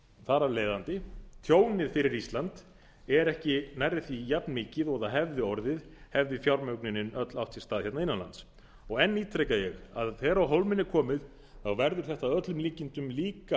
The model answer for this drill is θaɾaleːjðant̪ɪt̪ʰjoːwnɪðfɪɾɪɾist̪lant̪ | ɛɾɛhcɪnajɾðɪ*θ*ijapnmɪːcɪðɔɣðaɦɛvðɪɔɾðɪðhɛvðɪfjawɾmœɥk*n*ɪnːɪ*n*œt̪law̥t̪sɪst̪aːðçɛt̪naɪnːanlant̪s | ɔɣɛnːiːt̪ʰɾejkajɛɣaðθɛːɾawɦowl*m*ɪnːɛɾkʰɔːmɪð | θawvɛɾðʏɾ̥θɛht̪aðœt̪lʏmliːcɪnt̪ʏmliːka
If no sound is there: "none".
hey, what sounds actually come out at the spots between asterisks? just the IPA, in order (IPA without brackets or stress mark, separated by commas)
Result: θ, n, n, m